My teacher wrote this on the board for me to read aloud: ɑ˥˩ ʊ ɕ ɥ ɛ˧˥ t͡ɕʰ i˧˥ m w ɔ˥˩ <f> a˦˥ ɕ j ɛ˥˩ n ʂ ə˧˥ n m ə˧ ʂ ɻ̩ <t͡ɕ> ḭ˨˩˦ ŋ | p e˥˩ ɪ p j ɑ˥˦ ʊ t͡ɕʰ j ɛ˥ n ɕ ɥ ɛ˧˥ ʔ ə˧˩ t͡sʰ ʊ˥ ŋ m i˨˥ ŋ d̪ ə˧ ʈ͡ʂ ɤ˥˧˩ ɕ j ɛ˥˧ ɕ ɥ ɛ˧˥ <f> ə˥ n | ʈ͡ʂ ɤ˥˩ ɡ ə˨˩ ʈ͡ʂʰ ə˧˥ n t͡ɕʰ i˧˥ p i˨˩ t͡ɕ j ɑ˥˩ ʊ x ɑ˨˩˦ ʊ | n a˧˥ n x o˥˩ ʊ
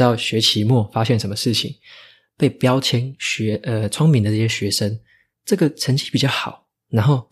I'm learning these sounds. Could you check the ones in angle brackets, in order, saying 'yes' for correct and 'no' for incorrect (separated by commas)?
yes, no, no